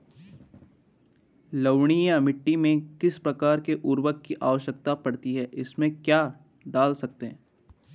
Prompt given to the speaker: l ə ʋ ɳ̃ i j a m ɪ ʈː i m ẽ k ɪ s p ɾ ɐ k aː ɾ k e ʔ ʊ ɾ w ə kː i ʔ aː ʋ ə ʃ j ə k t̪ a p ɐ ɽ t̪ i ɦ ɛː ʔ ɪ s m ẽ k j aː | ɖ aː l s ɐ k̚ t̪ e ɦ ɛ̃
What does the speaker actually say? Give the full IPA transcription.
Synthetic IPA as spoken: l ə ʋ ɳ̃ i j a m ɪ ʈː i m ẽ k ɪ s p ɾ ɐ k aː ɾ k e ʔ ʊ ɾ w ə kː i ʔ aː ʋ ə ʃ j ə k t̪ a p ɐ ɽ t̪ i ɦ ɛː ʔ ɪ s m ẽ k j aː | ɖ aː l s ɐ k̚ t̪ e ɦ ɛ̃

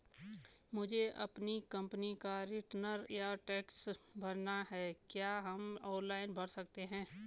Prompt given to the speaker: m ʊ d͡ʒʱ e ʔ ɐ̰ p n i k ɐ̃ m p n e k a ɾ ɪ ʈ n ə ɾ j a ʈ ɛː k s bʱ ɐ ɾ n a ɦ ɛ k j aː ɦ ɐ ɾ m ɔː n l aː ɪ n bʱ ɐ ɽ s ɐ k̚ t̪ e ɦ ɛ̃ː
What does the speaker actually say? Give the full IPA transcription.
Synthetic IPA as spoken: m ʊ d͡ʒʱ e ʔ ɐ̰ p n i k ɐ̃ m p n i k a ɾ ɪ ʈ n ə ɾ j a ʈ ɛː k s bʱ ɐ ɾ n a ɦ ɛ k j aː ɦ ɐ m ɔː n l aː ɪ n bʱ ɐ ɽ s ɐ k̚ t̪ e ɦ ɛ̃ː

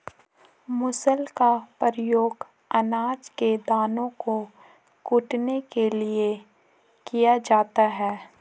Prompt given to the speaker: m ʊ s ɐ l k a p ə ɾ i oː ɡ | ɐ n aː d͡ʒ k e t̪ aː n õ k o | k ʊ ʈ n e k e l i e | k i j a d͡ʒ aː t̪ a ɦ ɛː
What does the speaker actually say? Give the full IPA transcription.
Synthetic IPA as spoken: m ʊ s ə l k a p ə ɾ j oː ɡ | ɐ n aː d͡ʒ k e d̪ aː n õ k o | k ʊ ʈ n e k e l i e | k i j a d͡ʒ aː t̪ a ɦ ɛː

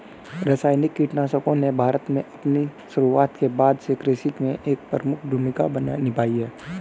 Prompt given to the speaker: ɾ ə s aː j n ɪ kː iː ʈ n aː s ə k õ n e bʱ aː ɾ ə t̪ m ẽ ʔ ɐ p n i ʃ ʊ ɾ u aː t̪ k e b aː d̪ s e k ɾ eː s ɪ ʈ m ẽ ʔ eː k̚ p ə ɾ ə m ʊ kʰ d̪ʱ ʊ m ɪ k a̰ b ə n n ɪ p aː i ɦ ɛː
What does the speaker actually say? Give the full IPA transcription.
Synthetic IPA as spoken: ɾ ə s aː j n ɪ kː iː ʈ n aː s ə k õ n e bʱ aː ɾ ə t̪ m ẽ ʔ ɐ p n i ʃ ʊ ɾ u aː t̪ k e b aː d̪ s e k ɾ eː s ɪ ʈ m ẽ ʔ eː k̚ p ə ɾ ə m ʊ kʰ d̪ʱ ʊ m ɪ k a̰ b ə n n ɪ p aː i ɦ ɛː

